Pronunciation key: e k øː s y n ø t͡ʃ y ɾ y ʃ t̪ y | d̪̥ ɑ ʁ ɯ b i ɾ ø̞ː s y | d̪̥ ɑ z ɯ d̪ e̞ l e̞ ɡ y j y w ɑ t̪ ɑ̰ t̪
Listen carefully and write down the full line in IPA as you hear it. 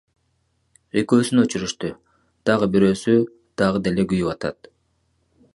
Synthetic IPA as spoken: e k øː s y n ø t͡ʃ y ɾ y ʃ t̪ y | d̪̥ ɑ ʁ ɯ b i ɾ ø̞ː s y | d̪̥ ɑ ʁ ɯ d̪ e̞ l e̞ ɡ y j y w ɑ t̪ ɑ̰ t̪